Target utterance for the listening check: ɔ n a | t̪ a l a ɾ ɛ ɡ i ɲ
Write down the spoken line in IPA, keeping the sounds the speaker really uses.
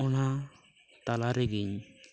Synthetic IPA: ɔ n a | t̪ a l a ɾ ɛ ɡ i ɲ